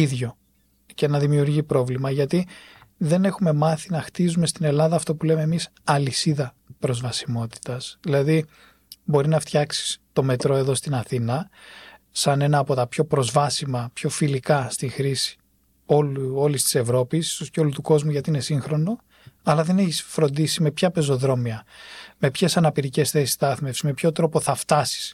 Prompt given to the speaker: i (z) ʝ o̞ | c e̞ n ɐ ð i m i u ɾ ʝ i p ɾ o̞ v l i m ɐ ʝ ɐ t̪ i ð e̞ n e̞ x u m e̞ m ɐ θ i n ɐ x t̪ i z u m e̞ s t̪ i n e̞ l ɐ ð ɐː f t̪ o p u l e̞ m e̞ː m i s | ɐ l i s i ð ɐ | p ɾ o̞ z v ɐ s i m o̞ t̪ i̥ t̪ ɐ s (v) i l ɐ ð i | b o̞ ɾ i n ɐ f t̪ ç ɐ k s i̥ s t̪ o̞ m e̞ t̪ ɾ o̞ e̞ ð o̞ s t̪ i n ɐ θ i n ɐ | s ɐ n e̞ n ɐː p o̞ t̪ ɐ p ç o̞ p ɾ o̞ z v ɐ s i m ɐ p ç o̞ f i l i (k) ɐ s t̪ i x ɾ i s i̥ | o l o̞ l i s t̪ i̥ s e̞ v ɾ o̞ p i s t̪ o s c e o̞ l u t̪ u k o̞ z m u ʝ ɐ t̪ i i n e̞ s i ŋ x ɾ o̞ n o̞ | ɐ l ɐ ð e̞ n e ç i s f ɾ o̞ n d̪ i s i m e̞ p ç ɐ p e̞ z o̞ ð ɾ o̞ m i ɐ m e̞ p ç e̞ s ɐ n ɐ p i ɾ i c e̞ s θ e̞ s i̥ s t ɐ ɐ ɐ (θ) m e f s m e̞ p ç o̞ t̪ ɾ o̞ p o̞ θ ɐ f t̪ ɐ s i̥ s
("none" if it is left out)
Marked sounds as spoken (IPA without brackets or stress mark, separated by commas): ð, ð, k, θ